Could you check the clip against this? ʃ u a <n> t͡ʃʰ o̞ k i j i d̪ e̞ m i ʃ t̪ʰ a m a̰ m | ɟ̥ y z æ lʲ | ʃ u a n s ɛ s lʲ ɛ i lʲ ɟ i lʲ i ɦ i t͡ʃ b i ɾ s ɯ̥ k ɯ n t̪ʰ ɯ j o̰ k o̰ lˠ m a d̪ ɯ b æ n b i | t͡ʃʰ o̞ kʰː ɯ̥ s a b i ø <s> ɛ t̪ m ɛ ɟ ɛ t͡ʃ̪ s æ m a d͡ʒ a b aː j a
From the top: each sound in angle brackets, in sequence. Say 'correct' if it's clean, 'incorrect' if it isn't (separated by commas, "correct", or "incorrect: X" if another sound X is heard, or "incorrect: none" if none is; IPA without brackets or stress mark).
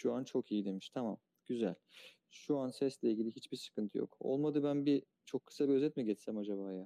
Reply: correct, incorrect: z